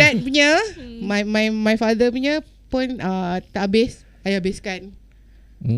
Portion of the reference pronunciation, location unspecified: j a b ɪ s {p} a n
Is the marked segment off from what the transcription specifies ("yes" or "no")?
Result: yes